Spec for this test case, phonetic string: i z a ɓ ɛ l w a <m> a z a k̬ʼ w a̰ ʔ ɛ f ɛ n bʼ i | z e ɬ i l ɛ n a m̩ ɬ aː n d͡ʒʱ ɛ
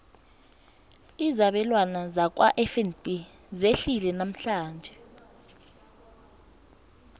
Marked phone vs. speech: incorrect: n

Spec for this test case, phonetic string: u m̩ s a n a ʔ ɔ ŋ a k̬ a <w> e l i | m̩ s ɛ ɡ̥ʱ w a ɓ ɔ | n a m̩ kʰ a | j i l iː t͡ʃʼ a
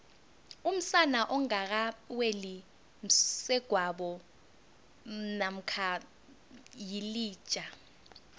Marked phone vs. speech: correct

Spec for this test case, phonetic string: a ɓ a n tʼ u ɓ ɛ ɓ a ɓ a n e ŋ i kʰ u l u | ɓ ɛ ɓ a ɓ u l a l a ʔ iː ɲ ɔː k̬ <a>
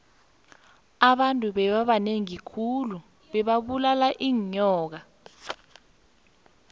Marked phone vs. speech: correct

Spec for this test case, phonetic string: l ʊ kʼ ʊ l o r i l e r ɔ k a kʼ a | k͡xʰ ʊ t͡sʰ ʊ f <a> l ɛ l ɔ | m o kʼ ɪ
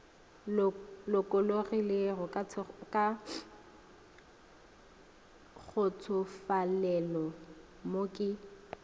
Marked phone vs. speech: correct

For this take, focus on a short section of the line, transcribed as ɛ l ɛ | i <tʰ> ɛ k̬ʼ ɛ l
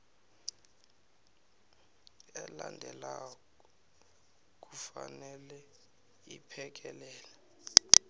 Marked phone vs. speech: incorrect: pʰ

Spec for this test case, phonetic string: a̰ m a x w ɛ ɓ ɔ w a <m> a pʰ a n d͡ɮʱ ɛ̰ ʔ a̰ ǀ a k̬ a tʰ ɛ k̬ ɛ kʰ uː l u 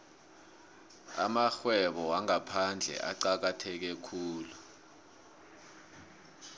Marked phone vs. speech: incorrect: ŋ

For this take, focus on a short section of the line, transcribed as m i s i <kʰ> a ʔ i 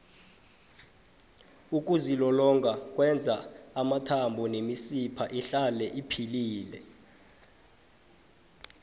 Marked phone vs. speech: incorrect: pʰ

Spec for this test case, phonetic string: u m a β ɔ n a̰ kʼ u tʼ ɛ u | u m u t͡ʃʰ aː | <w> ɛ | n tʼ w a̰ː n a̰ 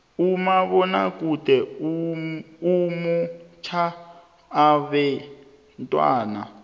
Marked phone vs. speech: incorrect: β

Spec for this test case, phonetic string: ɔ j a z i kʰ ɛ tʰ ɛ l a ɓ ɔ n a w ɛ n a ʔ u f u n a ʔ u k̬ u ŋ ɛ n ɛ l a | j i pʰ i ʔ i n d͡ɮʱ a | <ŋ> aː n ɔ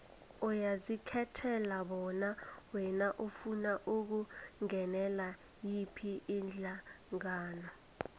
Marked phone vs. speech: correct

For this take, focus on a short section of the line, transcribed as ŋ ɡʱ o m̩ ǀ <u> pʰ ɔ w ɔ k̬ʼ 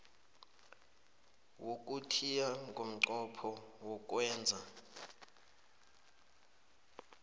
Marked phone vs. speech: incorrect: ɔ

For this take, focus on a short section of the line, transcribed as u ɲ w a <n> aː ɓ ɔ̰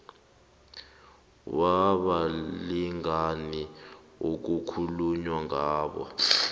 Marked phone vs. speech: incorrect: ŋ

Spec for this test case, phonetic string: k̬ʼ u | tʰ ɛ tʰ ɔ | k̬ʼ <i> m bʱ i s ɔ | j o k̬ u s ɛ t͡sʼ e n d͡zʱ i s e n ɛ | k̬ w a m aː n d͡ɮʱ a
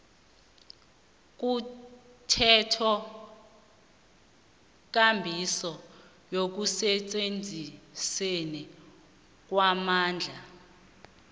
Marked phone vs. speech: incorrect: a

